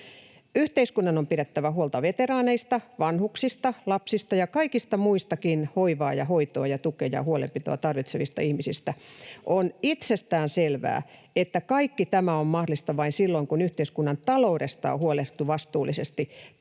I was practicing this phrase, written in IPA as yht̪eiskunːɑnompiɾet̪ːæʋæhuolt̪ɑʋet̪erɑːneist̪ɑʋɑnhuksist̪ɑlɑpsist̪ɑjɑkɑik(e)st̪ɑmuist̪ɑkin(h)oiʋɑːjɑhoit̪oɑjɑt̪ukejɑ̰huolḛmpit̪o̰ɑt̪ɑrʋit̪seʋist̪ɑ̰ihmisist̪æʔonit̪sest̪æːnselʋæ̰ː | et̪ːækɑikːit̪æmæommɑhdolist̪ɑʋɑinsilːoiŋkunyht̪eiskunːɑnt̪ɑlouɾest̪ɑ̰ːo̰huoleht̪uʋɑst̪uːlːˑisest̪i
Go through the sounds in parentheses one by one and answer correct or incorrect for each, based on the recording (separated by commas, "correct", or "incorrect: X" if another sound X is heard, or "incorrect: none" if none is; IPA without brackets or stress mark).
incorrect: i, correct